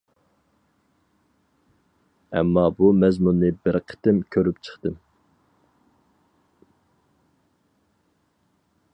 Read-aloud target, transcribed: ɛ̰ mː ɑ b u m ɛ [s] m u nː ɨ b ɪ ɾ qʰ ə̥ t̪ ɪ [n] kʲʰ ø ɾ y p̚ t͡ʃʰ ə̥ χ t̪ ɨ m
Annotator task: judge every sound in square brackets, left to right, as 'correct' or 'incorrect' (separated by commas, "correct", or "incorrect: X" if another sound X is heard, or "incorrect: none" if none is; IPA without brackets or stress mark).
incorrect: z, incorrect: m